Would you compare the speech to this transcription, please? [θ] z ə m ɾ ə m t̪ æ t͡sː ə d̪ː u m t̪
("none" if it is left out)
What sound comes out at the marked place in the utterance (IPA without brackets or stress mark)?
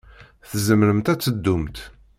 θ